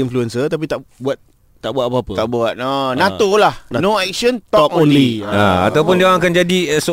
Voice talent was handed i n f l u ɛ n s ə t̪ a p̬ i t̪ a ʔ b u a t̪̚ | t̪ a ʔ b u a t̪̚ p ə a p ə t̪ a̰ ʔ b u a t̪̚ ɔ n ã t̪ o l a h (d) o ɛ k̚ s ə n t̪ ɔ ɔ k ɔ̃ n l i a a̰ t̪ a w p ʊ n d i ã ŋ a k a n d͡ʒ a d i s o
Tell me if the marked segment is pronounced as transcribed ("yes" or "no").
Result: no